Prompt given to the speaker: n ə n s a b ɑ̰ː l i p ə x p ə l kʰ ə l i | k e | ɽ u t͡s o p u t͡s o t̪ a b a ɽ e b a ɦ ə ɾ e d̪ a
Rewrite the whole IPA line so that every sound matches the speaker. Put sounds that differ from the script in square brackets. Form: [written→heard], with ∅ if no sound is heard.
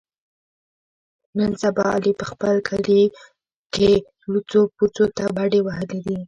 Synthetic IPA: n ə n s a b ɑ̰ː l i p ə x p ə l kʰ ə l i | k e | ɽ u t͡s o p u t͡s o t̪ a b a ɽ e [b→w] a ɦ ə [ɾ→l] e d̪ [a→i]